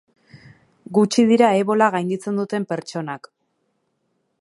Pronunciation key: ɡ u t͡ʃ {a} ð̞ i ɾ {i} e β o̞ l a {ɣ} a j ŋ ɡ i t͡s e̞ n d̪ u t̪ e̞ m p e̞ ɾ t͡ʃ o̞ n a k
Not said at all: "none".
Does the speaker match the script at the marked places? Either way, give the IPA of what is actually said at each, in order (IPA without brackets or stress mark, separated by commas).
i, a, ɣ